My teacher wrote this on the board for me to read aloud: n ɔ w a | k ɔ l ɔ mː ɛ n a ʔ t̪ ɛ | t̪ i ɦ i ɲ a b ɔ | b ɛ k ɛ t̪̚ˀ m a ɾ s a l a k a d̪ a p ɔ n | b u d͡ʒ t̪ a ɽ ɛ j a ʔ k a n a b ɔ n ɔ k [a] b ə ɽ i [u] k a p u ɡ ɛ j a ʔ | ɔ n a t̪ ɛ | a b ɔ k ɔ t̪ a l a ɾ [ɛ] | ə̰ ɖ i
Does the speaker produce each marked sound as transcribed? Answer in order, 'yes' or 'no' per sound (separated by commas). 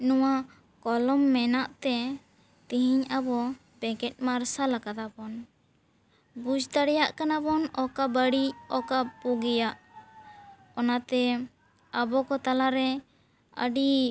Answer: yes, no, yes